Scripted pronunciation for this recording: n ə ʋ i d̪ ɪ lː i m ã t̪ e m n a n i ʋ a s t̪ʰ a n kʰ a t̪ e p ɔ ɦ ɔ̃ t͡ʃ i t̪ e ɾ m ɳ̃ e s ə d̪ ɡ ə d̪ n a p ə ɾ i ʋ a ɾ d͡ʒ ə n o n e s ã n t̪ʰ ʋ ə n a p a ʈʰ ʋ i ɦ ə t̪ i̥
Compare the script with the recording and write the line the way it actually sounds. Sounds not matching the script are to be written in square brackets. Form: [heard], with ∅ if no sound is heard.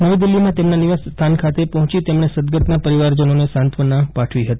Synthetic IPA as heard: n ə ʋ i d̪ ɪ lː i m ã t̪ e m n a n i ʋ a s t̪ʰ a n kʰ a t̪ e p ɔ ɦ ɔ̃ t͡ʃ i t̪ e [∅] m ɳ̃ e s ə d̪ ɡ ə [t̪] n a p ə ɾ i ʋ a ɾ d͡ʒ ə n o n e s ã n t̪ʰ ʋ ə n a p a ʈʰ ʋ i ɦ ə t̪ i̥